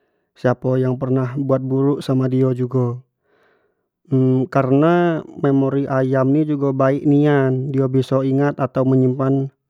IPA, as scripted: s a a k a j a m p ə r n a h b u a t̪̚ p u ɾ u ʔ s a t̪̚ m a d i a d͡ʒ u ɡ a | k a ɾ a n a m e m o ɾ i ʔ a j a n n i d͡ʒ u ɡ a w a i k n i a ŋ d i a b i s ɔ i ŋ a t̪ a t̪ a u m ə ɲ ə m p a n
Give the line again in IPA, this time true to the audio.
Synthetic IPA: s i a p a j a ŋ p ə r n a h b u a t̪̚ b u ɾ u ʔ s a m a d i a d͡ʒ u ɡ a | k a ɾ ə n a m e m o ɾ i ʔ a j a m n i d͡ʒ u ɡ a b a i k n i a n d i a b i s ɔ i ŋ a t̪ a t̪ a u m ə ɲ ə m p a n